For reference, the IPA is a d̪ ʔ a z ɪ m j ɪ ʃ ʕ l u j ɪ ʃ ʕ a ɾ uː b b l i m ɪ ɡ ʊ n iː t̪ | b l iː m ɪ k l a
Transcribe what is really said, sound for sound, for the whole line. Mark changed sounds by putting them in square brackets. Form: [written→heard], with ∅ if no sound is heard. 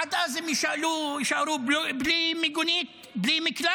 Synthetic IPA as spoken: a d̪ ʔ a z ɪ m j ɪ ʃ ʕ l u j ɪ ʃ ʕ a ɾ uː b b l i m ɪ ɡ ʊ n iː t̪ | b l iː m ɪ k l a